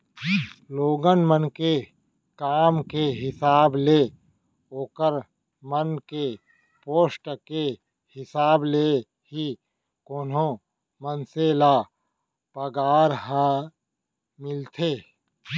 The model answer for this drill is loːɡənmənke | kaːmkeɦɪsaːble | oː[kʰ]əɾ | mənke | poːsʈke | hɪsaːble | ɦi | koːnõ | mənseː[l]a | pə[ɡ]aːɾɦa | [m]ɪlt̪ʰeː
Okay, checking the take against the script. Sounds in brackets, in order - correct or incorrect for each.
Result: incorrect: k, correct, correct, correct

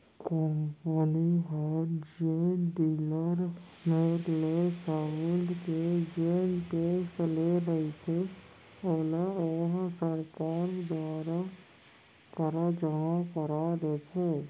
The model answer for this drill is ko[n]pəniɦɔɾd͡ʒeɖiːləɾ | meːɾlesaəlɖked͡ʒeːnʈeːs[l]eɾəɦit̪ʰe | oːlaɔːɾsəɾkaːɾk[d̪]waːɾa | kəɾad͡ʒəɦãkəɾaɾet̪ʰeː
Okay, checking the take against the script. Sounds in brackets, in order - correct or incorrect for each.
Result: incorrect: m, correct, correct

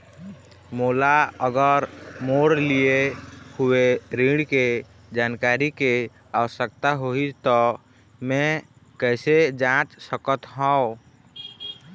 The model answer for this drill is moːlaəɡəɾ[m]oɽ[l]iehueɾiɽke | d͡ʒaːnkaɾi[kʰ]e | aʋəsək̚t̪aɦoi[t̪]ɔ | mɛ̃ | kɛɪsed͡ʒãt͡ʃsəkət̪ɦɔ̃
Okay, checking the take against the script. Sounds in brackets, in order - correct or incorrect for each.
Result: correct, correct, incorrect: k, correct

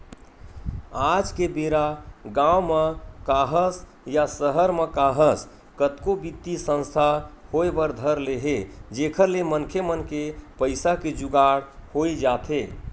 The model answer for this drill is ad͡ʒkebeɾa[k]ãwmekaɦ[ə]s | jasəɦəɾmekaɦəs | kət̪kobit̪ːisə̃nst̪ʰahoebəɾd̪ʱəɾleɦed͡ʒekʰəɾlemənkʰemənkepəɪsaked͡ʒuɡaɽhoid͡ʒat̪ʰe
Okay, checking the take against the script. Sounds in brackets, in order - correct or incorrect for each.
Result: incorrect: ɡ, correct

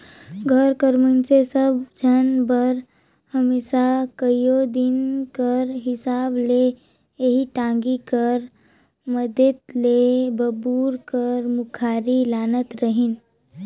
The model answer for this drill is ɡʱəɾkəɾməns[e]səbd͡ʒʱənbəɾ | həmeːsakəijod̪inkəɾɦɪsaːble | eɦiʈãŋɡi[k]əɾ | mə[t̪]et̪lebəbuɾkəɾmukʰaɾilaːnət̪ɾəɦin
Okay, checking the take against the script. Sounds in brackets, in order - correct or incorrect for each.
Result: correct, correct, incorrect: d̪

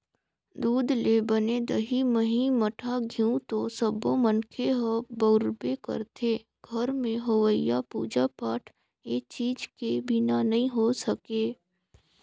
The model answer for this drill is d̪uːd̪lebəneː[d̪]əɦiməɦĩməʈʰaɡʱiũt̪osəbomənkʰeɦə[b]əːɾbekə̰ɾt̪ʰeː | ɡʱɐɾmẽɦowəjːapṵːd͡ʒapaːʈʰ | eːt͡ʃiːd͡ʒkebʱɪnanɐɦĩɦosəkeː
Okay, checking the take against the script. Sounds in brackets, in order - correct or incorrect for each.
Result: correct, correct

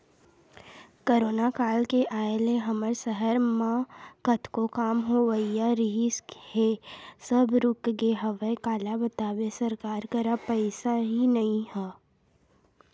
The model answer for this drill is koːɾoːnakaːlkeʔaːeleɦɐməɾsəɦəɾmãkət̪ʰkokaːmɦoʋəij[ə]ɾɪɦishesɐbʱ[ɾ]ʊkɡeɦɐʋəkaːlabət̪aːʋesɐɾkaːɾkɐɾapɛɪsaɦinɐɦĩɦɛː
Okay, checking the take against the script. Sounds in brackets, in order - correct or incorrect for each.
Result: incorrect: a, correct

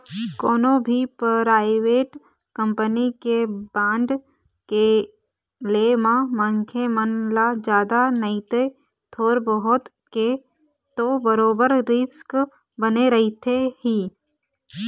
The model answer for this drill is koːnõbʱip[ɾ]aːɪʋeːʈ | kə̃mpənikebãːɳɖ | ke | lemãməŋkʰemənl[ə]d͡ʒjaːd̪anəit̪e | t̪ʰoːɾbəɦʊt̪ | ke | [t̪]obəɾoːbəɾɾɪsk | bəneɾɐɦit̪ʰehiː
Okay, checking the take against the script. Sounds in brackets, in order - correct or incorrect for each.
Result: correct, incorrect: a, correct

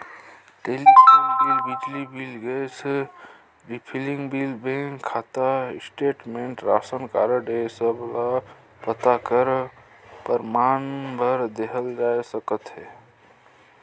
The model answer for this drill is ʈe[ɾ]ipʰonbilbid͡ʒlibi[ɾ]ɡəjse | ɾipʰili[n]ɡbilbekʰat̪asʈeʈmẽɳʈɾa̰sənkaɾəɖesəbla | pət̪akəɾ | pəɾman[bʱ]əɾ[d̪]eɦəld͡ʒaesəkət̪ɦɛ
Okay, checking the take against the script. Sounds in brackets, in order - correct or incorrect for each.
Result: incorrect: l, incorrect: l, incorrect: ŋ, correct, correct

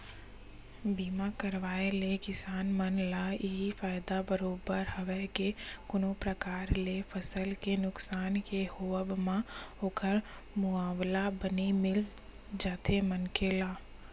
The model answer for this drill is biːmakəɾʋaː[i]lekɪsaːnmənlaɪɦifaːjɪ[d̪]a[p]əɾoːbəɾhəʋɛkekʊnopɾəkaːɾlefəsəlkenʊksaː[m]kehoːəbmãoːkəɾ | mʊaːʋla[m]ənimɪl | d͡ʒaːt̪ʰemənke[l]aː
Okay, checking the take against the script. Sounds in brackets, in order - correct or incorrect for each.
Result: incorrect: e, correct, incorrect: b, incorrect: n, incorrect: b, correct

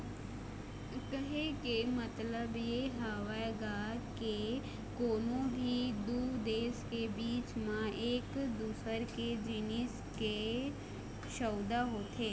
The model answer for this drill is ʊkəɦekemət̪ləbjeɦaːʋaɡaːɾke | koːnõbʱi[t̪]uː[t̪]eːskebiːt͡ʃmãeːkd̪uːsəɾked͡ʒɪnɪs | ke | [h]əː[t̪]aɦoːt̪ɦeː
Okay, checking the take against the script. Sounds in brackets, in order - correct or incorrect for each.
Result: incorrect: d̪, incorrect: d̪, incorrect: ʃ, incorrect: d̪

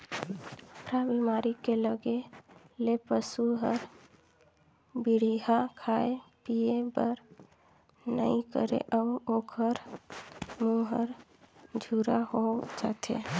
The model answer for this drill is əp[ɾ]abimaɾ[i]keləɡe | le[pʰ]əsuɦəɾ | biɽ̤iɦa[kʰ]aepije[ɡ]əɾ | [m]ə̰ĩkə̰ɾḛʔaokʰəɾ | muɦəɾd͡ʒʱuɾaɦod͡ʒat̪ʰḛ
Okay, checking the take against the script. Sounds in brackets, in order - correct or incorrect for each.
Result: correct, correct, incorrect: p, correct, incorrect: b, incorrect: n

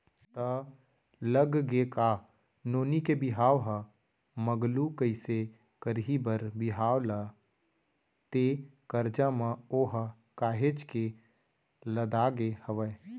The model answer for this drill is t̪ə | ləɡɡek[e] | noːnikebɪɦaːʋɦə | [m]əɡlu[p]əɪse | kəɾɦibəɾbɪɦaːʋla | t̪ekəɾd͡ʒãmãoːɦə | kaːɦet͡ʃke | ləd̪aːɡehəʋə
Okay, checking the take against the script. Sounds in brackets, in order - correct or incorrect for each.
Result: incorrect: a, correct, incorrect: k

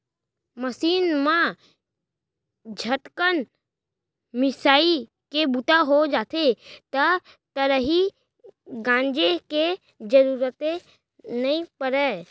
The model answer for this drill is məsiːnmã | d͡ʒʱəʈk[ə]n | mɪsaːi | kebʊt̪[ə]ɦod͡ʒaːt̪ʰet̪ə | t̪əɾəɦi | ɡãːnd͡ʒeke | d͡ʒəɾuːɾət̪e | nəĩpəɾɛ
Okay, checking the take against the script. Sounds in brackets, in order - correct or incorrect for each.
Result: correct, incorrect: a

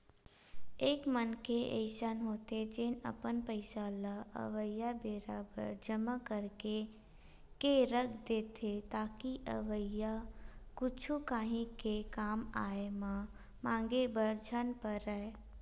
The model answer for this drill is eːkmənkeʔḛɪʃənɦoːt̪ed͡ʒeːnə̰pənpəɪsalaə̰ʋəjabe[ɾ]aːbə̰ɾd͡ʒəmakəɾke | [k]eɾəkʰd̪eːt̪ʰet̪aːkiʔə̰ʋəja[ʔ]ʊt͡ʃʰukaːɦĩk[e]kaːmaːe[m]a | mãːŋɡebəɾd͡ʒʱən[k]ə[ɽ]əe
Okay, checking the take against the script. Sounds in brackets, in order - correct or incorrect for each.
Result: correct, correct, incorrect: k, correct, correct, incorrect: p, incorrect: ɾ

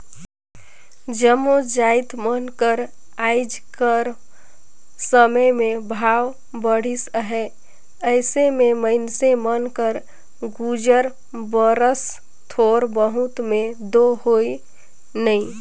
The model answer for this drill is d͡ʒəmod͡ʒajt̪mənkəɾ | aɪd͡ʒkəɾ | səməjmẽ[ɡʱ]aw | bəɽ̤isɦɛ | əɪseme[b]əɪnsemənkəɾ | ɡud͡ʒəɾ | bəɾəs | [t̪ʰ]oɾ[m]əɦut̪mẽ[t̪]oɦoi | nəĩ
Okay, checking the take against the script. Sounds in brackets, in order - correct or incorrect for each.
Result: incorrect: bʱ, incorrect: m, correct, incorrect: b, incorrect: d̪

